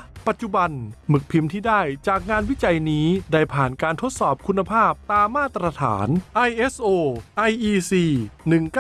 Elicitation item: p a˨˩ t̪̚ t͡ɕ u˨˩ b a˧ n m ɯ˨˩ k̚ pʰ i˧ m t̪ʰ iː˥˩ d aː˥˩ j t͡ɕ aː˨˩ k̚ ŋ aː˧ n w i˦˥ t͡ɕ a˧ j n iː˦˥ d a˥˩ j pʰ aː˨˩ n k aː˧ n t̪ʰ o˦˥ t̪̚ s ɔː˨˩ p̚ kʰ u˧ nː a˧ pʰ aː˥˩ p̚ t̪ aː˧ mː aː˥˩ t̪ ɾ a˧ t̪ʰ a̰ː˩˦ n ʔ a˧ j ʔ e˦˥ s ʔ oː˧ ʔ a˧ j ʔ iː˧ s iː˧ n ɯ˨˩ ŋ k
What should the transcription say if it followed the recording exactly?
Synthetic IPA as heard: p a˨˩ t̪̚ t͡ɕ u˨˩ b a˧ n m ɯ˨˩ k̚ pʰ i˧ m t̪ʰ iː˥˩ d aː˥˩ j t͡ɕ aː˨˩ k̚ ŋ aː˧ n w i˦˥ t͡ɕ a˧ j n iː˦˥ d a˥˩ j pʰ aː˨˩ n k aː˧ n t̪ʰ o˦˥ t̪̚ s ɔː˨˩ p̚ kʰ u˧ nː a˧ pʰ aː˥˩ p̚ t̪ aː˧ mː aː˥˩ t̪ ɾ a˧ t̪ʰ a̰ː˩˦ n ʔ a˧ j ʔ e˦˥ s ʔ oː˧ ʔ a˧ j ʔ iː˧ s iː˧ n ɯ˨˩ ŋ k

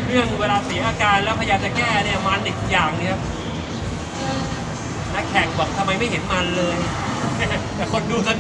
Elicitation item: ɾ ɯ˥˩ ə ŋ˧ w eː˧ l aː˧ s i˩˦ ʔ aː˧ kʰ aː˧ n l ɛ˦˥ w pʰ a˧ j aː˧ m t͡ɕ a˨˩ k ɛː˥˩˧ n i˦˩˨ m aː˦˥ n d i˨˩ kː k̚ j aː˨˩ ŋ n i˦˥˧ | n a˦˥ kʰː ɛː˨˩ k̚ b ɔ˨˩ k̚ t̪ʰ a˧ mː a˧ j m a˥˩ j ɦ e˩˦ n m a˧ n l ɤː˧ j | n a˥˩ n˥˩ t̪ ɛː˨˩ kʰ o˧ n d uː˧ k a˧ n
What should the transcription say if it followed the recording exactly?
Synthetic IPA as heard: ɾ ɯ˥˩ ə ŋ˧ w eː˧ l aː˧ s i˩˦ ʔ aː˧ k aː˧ n l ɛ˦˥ w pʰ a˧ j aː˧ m t͡ɕ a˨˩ k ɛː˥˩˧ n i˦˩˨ m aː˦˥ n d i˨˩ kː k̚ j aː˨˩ ŋ n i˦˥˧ | n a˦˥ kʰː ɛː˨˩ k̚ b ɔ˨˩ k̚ t̪ʰ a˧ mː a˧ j m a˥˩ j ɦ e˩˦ n m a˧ n l ɤː˧ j | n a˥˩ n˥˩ t̪ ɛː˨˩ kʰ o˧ n d uː˧ k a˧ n

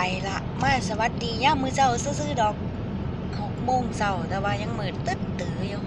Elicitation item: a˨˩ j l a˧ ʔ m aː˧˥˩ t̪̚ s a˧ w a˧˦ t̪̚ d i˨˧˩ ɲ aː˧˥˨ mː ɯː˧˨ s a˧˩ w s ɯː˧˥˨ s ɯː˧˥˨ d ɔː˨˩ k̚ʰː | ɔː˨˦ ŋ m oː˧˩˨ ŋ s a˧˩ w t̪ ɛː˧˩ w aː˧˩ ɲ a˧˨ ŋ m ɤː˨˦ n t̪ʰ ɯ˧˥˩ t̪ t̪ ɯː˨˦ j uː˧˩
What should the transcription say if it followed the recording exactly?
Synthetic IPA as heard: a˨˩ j l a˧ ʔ m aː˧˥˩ s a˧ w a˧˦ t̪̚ d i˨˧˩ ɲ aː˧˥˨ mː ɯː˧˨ s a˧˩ w s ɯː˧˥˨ s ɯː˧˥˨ d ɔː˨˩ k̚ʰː | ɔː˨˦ ŋ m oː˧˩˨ ŋ s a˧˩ w t̪ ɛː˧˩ w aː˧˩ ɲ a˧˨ ŋ m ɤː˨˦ n t̪ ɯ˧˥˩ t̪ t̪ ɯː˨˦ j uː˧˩

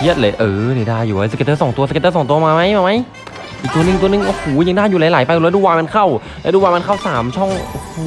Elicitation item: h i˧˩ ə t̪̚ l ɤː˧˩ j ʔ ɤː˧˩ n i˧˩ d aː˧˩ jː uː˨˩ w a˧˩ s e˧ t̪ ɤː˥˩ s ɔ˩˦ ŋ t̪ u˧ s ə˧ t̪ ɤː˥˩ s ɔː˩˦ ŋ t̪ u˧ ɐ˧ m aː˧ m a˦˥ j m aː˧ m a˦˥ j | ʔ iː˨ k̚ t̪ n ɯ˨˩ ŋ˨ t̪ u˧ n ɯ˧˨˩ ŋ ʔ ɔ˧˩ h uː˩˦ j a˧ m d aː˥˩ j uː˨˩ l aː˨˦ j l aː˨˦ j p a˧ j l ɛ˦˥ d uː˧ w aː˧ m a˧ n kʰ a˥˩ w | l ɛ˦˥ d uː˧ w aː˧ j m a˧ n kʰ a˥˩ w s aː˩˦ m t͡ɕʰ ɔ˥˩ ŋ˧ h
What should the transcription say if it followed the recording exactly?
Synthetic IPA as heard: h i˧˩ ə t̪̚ l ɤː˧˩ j ʔ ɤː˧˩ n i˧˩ d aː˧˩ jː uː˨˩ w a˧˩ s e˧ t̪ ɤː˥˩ s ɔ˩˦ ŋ t̪ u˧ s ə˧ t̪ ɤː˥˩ s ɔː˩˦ ŋ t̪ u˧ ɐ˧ m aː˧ m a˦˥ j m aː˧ m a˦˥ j | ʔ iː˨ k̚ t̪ n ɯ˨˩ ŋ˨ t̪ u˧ n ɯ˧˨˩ ŋ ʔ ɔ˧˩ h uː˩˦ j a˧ ŋ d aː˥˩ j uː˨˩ l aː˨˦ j l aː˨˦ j p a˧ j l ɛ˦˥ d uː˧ w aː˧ m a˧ n kʰ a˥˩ w | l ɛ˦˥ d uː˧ w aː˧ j m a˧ n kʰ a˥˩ w s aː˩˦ m t͡ɕʰ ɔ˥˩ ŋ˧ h

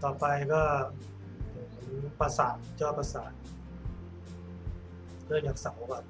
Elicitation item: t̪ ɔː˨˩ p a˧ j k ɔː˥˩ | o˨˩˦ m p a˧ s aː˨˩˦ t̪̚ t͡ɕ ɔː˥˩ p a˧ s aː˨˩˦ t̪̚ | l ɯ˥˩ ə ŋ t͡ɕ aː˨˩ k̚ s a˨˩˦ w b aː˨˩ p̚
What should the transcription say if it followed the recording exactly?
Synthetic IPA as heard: t̪ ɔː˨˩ p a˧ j k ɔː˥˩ | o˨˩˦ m p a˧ s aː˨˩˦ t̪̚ t͡ɕ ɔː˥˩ p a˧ s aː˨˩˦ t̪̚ | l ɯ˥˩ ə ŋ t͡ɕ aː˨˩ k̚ s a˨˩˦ w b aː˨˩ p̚

